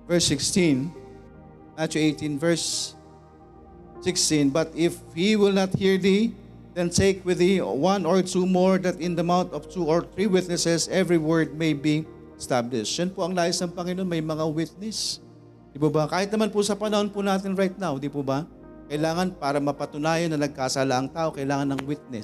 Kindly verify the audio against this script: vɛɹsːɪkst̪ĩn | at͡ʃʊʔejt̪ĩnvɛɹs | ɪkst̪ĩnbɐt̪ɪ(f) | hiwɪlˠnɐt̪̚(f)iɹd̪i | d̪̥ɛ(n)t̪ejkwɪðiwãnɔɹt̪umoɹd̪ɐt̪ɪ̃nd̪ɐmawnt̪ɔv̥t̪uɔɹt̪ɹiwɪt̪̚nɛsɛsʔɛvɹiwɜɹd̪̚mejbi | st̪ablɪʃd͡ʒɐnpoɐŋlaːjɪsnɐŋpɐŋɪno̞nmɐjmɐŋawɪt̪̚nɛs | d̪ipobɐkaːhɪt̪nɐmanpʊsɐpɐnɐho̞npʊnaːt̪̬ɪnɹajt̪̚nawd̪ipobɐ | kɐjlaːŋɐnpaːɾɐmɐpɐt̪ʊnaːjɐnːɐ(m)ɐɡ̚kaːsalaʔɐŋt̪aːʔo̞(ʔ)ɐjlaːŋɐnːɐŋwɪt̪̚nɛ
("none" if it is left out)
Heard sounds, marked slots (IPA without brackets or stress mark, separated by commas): f, h, n, n, k